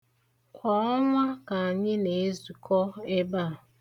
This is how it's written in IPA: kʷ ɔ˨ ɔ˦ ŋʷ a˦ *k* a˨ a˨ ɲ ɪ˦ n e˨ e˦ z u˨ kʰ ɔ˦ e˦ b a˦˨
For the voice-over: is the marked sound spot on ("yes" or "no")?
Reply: yes